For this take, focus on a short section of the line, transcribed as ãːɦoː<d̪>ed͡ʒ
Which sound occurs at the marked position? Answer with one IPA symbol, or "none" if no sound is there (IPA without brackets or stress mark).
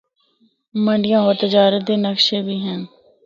t̪